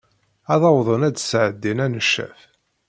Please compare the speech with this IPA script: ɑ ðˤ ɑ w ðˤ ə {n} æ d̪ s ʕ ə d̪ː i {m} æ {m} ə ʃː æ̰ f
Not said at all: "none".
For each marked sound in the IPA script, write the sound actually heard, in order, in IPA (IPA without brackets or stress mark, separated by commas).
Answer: n, n, n